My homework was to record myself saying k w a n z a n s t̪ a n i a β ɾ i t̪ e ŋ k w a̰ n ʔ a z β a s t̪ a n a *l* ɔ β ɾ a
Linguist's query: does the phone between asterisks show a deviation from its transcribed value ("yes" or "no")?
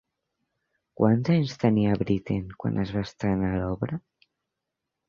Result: no